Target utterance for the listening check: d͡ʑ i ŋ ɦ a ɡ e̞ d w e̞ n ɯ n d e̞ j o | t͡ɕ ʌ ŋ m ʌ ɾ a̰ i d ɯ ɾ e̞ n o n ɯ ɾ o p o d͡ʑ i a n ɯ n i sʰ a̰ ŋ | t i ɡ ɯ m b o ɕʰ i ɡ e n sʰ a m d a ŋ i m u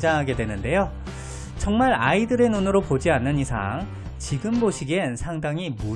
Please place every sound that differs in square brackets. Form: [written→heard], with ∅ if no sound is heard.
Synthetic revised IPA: d͡ʑ [i→a] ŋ ɦ a ɡ e̞ d w e̞ n ɯ n d e̞ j o | t͡ɕ ʌ ŋ m [ʌ→a] ɾ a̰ i d ɯ ɾ e̞ n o n ɯ ɾ o p o d͡ʑ i a [n→nː] ɯ n i sʰ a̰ ŋ | [t→t͡ɕ] i ɡ ɯ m b o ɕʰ i ɡ e n sʰ a [m→ŋ] d a ŋ i m u